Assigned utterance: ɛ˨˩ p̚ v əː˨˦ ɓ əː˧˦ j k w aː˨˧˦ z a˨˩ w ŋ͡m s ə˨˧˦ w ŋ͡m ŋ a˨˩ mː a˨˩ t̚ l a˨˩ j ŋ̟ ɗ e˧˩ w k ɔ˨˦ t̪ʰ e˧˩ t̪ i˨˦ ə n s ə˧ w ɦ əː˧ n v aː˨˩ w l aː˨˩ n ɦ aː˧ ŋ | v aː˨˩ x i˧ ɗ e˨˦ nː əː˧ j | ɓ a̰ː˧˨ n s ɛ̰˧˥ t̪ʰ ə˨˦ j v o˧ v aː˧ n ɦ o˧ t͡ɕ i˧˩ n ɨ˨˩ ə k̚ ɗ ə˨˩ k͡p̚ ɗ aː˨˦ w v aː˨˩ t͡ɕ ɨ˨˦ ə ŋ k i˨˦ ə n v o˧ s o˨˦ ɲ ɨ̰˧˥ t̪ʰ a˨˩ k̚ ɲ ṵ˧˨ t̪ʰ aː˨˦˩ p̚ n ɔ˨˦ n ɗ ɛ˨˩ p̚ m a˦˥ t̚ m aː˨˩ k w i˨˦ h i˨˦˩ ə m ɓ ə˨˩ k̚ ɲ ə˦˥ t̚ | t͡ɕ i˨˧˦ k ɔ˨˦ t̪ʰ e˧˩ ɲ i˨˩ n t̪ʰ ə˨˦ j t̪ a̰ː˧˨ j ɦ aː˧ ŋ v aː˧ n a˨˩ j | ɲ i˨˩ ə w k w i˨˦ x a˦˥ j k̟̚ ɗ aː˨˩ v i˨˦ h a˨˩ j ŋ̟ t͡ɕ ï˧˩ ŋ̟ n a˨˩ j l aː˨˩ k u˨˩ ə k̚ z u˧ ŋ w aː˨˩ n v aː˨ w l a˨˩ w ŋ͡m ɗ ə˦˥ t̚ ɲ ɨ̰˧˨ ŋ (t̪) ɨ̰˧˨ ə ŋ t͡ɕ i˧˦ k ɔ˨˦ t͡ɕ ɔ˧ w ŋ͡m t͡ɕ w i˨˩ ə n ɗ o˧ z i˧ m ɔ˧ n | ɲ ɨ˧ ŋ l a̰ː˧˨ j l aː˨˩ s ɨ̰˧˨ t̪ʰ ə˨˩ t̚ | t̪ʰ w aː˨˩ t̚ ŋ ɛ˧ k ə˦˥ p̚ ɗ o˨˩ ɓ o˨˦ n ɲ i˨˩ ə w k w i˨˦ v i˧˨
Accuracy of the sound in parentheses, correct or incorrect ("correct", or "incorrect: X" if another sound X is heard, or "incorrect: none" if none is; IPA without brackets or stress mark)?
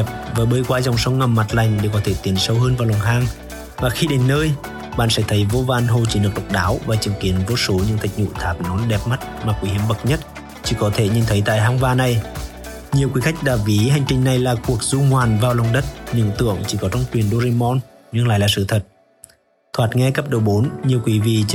correct